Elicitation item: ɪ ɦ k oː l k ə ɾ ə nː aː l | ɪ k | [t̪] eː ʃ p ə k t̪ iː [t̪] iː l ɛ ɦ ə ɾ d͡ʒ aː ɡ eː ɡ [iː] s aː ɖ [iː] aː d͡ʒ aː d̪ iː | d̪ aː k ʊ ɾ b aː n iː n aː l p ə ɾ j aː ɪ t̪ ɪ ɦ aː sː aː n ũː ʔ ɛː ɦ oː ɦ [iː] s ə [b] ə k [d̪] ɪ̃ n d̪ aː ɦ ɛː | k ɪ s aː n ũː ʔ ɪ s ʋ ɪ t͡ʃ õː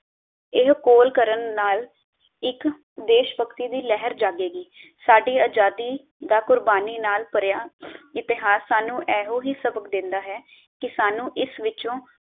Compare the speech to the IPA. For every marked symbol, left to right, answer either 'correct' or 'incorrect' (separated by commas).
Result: incorrect, incorrect, correct, correct, correct, correct, correct